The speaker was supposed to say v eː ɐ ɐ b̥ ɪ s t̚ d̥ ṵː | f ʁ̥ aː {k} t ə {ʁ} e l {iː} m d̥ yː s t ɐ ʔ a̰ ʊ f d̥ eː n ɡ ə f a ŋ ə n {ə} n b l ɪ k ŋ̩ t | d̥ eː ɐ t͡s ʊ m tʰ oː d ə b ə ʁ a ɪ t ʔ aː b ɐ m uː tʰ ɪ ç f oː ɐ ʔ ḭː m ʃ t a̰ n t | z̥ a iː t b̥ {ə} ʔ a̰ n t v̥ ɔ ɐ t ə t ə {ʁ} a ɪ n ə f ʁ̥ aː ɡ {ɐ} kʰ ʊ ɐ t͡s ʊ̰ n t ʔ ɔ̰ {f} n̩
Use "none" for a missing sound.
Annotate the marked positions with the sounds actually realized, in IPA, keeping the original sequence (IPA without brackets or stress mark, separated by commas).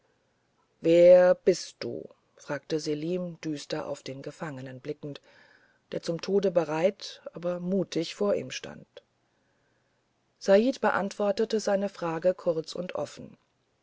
k, z, iː, ə, ə, z, ə, f